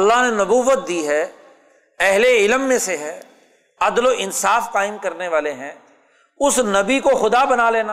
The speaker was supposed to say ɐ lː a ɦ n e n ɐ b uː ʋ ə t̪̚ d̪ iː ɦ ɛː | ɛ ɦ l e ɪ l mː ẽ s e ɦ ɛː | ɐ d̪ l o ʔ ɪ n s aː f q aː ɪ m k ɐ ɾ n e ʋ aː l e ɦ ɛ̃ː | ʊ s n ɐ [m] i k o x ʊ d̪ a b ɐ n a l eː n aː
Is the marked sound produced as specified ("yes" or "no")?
no